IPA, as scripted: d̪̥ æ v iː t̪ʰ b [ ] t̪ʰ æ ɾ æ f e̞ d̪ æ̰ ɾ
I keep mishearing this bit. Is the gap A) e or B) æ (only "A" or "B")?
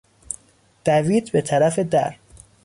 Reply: A